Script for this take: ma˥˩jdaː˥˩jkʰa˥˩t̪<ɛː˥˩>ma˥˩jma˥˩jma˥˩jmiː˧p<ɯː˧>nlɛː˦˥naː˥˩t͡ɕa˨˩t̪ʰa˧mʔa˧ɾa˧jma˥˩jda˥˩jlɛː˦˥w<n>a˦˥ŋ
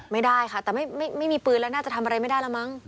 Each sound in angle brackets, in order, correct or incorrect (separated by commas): incorrect, correct, incorrect